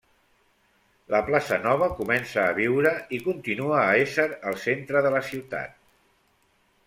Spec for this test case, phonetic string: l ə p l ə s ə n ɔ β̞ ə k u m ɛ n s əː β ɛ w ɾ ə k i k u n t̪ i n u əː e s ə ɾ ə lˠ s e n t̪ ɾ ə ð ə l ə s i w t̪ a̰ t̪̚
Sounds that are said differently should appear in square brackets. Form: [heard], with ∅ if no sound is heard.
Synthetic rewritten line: l ə p l [a] s ə n ɔ β̞ ə k u m ɛ n s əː β [i] w ɾ ə [∅] i k u n t̪ i n u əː e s ə ɾ ə lˠ s e n t̪ ɾ ə ð ə l ə s i w t̪ a̰ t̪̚